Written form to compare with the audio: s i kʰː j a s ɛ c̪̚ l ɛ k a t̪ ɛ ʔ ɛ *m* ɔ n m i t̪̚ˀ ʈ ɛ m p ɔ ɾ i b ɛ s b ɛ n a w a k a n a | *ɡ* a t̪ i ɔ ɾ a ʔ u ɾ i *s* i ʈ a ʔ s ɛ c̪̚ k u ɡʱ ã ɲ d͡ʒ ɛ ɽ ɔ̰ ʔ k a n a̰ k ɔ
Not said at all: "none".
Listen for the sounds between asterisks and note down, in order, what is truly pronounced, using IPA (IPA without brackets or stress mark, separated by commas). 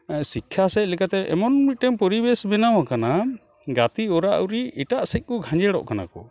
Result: m, ɡ, none